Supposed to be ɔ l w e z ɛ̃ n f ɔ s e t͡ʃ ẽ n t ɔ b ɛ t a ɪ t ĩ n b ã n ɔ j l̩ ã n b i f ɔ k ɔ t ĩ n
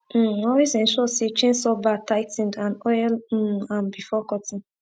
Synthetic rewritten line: ɔ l w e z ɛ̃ n ʃ ɔ s e t͡ʃ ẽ n s ɔ b a t a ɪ t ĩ n d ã n ɔ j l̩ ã n b i f ɔ k ɔ t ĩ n